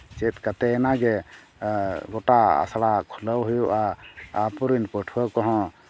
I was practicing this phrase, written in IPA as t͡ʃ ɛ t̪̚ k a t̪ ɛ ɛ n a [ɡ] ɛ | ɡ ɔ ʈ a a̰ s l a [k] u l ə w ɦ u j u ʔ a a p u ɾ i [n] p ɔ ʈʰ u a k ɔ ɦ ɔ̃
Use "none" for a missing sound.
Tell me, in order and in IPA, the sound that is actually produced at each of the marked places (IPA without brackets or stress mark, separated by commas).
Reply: ɡ, kʰ, n